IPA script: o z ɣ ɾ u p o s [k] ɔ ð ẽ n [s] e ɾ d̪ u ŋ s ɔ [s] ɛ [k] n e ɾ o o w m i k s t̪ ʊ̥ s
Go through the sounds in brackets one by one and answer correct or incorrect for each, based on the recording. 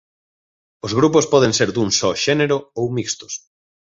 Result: incorrect: p, correct, incorrect: ʃ, incorrect: none

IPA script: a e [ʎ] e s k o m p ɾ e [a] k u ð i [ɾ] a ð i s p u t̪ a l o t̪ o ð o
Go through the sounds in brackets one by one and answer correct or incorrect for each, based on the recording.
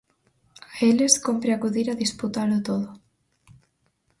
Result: incorrect: l, correct, correct

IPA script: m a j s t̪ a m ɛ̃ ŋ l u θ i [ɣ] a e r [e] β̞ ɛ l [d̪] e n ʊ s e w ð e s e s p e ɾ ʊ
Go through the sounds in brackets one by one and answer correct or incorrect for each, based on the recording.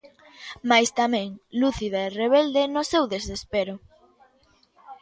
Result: incorrect: ð, correct, correct

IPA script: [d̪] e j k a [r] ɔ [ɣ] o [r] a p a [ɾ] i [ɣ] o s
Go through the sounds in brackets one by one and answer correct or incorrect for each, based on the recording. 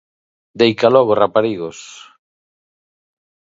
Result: correct, incorrect: l, correct, correct, correct, correct

